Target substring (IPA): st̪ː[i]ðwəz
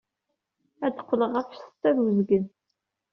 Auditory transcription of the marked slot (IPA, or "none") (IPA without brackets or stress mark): æ